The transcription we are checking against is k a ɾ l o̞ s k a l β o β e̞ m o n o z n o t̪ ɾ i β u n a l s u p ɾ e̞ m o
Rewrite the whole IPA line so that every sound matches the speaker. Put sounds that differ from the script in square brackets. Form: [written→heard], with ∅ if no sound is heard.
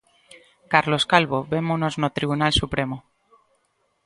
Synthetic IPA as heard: k a ɾ l o̞ s k a l β o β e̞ m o n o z n o t̪ ɾ i β u n a l s u p ɾ e̞ m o